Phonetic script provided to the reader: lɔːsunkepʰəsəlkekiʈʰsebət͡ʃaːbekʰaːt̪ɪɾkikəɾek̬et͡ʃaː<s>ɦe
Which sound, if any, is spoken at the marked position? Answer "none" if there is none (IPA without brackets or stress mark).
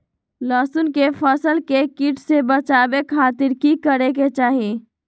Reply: none